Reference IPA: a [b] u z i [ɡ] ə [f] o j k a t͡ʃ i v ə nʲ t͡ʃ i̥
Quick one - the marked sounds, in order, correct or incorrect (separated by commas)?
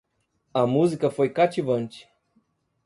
incorrect, incorrect, correct